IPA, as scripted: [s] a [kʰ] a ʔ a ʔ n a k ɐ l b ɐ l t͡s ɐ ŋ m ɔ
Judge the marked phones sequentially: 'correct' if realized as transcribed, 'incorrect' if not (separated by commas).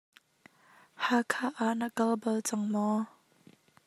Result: incorrect, correct